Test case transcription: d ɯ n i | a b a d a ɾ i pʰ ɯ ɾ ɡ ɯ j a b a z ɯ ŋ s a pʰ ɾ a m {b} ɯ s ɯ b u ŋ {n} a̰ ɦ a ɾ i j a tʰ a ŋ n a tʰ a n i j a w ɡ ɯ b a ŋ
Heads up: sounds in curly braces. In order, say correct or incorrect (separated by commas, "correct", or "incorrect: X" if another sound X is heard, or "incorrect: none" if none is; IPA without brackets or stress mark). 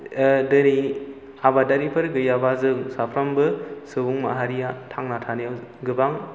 correct, incorrect: m